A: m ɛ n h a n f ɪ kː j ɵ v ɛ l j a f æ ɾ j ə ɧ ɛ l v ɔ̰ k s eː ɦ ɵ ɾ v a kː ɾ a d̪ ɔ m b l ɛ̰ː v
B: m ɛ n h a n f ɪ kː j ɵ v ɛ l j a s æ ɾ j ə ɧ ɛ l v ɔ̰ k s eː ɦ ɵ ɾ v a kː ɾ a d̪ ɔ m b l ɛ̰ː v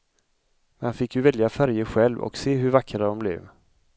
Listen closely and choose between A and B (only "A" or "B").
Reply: A